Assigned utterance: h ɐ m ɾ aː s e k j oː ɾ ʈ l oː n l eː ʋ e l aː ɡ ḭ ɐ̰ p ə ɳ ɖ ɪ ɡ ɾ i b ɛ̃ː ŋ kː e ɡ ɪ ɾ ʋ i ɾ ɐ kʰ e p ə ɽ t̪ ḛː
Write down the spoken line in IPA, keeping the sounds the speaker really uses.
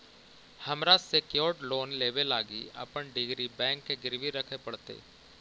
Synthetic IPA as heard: h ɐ m ɾ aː s e k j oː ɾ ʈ l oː n l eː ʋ e l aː ɡ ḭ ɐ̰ p ə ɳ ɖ ɪ ɡ ɾ i b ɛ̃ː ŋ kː e ɡ ɪ ɾ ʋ i ɾ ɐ kʰ e p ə ɽ t̪ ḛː